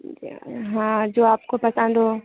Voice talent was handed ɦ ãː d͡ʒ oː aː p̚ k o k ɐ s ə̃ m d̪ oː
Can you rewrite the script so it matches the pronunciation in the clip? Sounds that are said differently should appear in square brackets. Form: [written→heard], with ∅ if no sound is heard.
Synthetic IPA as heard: ɦ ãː d͡ʒ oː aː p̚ k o [k→p] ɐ s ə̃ [m→n] d̪ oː